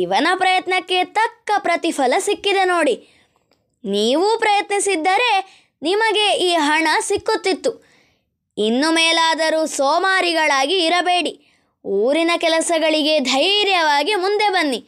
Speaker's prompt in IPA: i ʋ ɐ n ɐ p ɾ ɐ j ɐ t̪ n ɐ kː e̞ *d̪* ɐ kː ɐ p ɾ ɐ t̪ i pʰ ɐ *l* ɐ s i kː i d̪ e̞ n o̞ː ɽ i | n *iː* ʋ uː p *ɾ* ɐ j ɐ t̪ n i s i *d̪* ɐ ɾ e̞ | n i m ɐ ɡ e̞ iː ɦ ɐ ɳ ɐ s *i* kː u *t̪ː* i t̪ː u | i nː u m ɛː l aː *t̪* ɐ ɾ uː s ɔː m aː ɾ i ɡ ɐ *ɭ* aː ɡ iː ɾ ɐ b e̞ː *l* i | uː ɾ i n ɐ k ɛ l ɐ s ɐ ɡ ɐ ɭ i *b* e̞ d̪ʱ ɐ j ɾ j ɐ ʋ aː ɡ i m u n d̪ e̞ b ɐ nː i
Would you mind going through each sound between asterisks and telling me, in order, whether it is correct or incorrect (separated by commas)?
incorrect, correct, correct, correct, incorrect, correct, correct, incorrect, correct, incorrect, incorrect